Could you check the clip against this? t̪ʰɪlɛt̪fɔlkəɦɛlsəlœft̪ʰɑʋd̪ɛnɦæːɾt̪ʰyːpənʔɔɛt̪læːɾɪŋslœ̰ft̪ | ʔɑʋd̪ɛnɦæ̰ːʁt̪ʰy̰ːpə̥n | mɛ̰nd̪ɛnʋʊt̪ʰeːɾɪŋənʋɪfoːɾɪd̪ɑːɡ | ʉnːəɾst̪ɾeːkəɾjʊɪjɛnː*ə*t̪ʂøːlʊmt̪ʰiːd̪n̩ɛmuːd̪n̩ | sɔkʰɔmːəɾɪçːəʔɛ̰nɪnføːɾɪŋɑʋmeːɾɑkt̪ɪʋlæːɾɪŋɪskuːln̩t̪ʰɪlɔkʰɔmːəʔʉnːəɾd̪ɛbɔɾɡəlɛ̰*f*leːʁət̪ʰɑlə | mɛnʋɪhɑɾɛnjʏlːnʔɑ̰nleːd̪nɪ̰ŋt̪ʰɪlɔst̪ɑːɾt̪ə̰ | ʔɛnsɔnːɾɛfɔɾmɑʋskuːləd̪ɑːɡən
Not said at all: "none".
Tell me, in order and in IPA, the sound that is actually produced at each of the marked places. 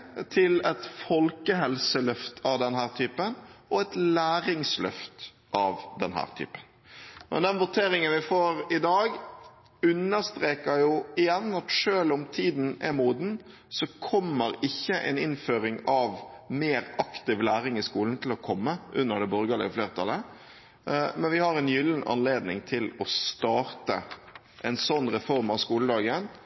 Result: ɑ, f

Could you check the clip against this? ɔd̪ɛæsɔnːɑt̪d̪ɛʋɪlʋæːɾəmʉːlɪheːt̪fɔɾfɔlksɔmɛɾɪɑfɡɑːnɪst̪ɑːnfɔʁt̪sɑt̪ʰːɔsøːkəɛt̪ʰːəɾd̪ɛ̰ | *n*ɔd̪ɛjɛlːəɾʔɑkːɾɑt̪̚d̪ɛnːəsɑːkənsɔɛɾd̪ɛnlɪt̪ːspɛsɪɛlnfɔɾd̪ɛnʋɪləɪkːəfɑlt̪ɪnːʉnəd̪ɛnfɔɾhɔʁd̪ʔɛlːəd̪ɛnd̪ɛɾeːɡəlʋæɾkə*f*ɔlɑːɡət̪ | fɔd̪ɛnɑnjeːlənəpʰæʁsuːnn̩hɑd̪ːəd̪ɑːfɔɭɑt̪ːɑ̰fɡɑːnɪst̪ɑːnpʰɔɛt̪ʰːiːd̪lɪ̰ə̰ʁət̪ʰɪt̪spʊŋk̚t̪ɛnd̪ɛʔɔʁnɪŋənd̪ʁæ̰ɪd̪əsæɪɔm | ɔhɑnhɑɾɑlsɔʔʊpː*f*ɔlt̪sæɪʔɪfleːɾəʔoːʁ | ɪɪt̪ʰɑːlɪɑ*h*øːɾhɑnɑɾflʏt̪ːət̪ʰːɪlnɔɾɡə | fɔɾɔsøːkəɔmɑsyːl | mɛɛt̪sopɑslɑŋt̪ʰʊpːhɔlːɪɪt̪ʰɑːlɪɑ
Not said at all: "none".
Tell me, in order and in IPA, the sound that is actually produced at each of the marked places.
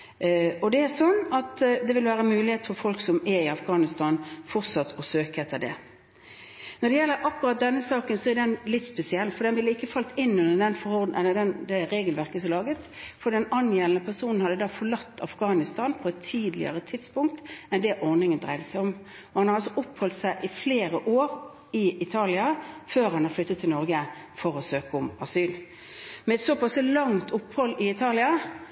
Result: n, s, h, f

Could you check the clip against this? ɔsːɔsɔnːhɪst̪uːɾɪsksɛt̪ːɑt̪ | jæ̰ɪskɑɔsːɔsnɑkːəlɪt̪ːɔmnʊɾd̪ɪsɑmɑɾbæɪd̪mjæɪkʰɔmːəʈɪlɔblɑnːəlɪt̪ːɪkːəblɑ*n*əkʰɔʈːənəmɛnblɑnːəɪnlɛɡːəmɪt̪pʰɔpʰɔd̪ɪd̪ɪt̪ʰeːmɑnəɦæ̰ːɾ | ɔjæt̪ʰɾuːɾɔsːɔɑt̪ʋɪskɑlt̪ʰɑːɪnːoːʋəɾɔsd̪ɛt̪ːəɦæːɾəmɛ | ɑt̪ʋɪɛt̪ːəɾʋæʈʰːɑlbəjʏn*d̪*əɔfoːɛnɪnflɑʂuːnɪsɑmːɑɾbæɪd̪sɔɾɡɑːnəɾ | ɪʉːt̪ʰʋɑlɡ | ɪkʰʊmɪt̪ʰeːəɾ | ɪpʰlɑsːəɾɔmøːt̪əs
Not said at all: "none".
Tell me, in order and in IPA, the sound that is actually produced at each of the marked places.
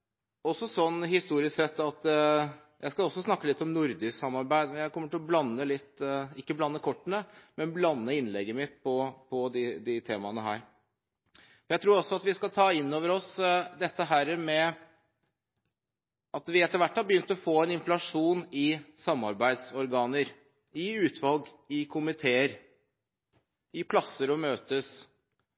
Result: nː, t̪

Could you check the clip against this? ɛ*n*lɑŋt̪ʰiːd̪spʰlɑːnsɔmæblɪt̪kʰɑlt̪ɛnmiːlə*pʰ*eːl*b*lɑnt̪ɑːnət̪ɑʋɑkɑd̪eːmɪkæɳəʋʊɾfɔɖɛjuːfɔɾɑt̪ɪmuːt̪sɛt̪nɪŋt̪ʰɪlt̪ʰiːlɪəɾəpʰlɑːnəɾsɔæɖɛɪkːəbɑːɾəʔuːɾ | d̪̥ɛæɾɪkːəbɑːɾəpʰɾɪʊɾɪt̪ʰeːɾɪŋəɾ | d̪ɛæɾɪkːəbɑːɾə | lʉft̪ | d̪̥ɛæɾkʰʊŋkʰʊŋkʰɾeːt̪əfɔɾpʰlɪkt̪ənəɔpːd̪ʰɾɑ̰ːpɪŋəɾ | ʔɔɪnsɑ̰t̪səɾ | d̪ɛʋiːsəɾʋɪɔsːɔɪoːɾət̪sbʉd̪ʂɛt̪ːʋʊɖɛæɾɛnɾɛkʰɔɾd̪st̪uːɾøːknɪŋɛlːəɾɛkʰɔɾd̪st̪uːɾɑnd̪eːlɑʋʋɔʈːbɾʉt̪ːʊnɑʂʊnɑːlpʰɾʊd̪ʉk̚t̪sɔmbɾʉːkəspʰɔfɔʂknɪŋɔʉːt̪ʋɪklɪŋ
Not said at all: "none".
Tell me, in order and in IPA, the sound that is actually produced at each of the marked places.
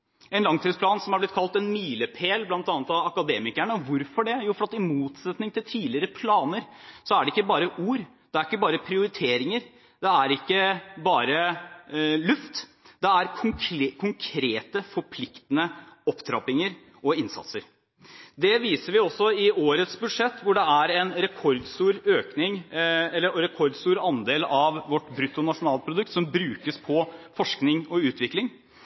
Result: n, pʰ, b

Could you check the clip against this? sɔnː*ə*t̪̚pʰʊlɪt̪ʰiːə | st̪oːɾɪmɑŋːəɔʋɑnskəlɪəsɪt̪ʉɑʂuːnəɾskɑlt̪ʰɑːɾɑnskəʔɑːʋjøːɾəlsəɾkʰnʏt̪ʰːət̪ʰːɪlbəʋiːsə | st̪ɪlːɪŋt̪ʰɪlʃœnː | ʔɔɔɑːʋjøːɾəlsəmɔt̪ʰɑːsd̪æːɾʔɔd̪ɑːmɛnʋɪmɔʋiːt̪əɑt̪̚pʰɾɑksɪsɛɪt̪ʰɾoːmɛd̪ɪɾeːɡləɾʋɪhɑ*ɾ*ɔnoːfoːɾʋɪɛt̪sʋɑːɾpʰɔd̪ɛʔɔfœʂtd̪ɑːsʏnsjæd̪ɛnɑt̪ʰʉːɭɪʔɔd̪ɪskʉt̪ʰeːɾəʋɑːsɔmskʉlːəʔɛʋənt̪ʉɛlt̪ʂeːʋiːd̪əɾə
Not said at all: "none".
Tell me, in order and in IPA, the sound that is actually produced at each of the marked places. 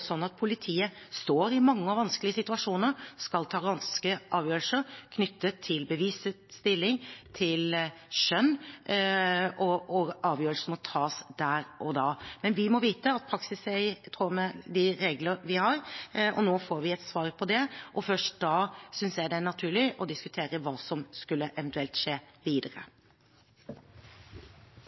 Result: ɑ, ɾ

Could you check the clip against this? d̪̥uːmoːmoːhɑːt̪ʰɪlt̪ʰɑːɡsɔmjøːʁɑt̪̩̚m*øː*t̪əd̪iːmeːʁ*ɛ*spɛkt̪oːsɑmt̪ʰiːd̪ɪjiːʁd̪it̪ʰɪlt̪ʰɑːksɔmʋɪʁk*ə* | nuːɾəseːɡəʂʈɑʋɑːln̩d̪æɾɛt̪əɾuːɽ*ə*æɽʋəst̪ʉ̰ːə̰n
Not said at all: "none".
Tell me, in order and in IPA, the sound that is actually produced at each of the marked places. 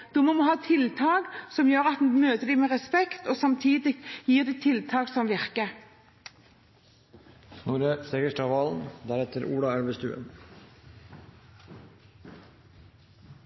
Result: øː, ɛ, ə, ɑ

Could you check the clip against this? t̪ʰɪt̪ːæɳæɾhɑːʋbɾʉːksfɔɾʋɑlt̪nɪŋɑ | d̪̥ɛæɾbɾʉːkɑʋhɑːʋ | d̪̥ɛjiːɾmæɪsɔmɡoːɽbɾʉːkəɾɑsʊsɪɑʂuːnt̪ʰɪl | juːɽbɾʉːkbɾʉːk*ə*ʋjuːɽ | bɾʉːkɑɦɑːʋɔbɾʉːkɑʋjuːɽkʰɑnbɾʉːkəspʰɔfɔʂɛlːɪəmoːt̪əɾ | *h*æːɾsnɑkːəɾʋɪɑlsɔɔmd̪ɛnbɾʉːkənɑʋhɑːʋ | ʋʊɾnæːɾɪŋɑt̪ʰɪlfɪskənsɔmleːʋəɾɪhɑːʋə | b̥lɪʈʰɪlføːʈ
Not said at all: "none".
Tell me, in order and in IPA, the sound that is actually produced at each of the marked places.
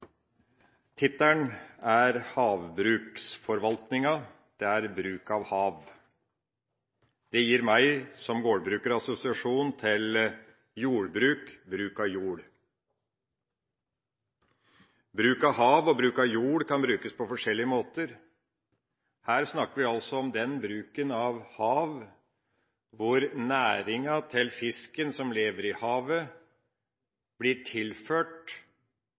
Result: ɑ, h

